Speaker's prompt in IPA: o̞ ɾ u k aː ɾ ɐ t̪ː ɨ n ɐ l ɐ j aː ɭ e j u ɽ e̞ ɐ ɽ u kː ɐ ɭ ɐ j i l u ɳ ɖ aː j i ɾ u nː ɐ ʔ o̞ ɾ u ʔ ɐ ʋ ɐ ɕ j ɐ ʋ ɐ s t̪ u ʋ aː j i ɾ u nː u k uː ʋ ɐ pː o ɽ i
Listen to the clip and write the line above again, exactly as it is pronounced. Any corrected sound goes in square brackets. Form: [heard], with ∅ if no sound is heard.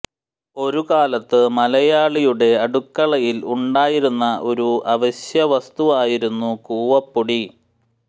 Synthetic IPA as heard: o̞ ɾ u k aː [l] ɐ t̪ː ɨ [m] ɐ l ɐ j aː ɭ [i] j u ɽ e̞ ɐ ɽ u kː ɐ ɭ ɐ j i l u ɳ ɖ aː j i ɾ u nː ɐ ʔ o̞ ɾ u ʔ ɐ ʋ ɐ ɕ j ɐ ʋ ɐ s t̪ u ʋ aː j i ɾ u nː u k uː ʋ ɐ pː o ɽ i